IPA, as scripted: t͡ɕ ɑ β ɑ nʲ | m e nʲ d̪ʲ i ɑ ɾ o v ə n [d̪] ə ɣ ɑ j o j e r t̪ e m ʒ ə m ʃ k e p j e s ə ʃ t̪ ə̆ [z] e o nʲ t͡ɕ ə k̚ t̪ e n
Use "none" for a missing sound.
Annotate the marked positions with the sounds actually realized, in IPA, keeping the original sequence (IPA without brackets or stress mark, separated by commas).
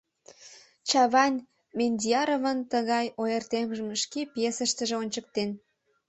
t̪, ʒ